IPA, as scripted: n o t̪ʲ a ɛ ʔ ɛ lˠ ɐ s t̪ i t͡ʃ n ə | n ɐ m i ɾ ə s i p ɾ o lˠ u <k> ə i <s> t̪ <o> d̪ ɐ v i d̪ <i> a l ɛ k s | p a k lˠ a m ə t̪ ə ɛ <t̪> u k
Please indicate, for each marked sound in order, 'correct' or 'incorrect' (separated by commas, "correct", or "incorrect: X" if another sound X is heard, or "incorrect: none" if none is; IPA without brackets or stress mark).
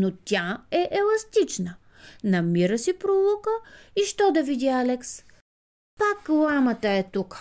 correct, incorrect: ʃ, incorrect: ɔ, correct, correct